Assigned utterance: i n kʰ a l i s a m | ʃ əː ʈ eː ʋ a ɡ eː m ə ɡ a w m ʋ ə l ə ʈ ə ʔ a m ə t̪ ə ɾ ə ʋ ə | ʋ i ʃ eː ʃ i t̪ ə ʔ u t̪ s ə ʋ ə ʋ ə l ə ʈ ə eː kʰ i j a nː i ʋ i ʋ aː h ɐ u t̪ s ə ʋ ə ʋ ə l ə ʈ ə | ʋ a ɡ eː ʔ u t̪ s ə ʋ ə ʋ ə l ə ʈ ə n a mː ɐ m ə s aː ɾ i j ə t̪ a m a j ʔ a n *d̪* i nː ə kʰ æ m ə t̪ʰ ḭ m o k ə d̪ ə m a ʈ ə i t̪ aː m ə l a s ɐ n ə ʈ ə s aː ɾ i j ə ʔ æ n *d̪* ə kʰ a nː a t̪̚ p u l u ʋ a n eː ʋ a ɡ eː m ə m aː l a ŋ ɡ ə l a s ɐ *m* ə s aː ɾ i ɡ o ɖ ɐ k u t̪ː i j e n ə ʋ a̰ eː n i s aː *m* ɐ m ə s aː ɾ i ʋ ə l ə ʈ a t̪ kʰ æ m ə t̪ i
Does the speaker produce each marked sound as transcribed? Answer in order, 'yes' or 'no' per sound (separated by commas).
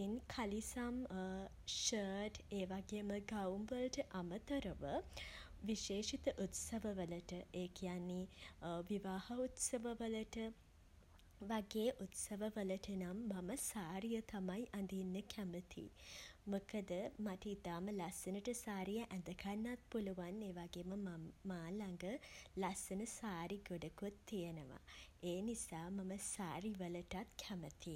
yes, yes, no, yes